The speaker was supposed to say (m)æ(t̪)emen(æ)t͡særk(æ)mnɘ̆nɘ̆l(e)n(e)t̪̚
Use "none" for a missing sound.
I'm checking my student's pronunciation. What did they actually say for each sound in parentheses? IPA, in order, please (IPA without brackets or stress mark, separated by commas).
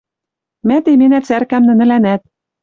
m, t̪, æ, æ, æ, æ